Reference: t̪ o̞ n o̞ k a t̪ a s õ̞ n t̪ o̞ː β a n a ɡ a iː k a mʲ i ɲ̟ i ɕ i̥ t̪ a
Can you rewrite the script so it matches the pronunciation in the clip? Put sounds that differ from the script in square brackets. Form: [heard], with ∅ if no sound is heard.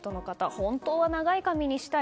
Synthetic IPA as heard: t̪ o̞ n o̞ k a t̪ a [h] õ̞ n t̪ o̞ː β a n a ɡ a [i] k a mʲ i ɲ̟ i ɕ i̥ t̪ a